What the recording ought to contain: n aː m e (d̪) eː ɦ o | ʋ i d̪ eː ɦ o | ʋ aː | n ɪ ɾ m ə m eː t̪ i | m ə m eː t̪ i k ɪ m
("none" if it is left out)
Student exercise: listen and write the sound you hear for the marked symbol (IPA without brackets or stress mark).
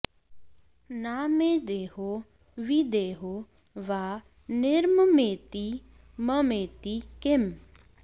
d̪